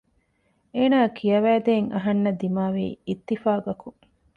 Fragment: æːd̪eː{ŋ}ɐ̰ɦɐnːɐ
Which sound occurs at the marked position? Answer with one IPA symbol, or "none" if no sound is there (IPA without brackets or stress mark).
ŋ